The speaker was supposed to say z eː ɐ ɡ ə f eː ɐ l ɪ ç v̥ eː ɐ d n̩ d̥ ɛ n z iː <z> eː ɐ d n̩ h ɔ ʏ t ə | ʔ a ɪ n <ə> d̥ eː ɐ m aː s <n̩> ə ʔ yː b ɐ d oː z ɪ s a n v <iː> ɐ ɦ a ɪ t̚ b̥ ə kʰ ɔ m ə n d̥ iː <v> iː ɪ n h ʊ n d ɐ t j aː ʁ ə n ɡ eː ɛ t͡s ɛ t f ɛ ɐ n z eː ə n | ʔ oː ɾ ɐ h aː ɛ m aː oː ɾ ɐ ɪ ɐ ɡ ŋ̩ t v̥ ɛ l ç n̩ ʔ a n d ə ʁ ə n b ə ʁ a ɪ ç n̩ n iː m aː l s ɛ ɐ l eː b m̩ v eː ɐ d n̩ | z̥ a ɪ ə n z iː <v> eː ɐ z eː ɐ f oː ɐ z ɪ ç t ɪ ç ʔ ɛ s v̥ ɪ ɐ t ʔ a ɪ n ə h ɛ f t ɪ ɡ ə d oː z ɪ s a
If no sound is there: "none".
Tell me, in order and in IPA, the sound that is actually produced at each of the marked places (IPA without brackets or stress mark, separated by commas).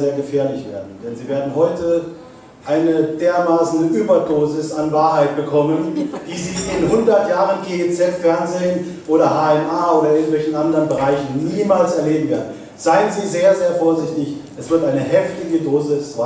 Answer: v, ə, n̩, aː, z, z